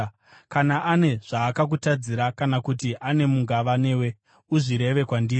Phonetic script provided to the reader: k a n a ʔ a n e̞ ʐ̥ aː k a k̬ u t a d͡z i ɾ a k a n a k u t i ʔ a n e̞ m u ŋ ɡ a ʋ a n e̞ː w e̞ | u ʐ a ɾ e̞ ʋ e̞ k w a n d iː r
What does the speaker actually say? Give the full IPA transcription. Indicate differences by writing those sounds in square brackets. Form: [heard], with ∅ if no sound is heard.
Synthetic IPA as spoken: k a n a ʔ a n e̞ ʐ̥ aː k a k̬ u t a d͡z i ɾ a k a n a k u t i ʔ a n e̞ m u ŋ ɡ a ʋ a n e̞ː w e̞ | u ʐ [i] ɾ e̞ ʋ e̞ k w a n d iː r